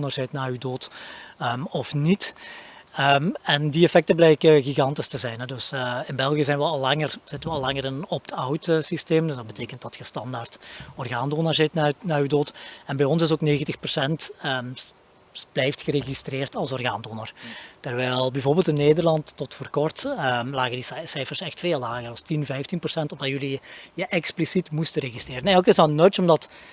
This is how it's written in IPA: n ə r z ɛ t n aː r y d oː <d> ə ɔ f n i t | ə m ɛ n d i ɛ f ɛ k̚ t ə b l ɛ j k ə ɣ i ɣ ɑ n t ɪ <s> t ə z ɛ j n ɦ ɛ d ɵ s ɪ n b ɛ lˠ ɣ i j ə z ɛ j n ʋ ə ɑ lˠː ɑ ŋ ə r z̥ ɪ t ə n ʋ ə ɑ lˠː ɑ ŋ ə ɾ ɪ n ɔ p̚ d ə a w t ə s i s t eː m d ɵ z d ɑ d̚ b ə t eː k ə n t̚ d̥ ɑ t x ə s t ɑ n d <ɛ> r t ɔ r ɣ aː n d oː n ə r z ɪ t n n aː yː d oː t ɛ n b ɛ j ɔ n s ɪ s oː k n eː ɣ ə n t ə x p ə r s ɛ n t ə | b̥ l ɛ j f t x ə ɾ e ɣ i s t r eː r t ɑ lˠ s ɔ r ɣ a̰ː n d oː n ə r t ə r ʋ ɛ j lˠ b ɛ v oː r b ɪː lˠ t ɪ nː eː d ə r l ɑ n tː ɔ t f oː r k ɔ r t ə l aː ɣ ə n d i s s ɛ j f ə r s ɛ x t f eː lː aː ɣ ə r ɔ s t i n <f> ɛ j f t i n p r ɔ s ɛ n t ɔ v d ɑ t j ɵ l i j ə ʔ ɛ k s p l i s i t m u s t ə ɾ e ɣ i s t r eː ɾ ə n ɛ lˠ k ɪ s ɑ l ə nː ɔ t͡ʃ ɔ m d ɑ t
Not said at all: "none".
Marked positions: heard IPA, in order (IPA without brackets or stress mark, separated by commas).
t, s, a, v